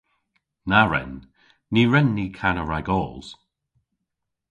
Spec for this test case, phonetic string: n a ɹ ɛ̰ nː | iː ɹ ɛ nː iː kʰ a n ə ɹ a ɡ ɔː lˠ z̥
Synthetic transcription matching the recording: n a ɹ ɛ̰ nː | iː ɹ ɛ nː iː kʰ a n ə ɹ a ɡ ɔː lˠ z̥